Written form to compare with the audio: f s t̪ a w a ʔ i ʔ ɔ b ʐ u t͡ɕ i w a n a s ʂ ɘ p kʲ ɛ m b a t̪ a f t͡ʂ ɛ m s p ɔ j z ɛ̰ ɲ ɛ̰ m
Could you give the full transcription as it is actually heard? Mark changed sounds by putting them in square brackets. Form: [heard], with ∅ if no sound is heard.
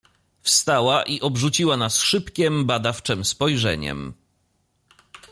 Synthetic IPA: f s t̪ a w a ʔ i ʔ ɔ b ʐ u t͡ɕ i w a n a s ʂ ɘ p kʲ ɛ m b a [d̪] a f t͡ʂ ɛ m s p ɔ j [ʐ] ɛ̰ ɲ ɛ̰ m